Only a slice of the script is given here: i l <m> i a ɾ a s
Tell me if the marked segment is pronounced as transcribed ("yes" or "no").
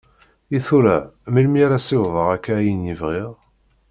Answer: yes